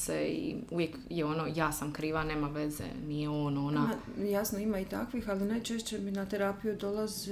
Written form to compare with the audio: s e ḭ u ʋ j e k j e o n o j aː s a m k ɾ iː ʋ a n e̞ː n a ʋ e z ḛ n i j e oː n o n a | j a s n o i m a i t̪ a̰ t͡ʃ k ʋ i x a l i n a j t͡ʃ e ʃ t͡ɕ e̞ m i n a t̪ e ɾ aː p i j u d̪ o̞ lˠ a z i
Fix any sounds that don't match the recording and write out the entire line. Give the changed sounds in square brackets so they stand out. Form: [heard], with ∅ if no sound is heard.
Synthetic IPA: s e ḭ u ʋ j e k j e o n o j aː s a m k ɾ iː ʋ a n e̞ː [m] a ʋ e z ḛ n i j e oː n o n a | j a s n o i m a i t̪ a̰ [∅] k ʋ i x a l i n a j t͡ʃ e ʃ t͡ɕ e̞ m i n a t̪ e ɾ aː p i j u d̪ o̞ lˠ a z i